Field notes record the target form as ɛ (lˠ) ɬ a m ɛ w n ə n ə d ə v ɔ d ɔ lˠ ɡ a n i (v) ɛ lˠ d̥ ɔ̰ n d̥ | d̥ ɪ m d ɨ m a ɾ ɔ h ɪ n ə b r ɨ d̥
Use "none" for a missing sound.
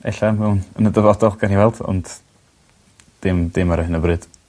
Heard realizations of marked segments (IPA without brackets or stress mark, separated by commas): none, w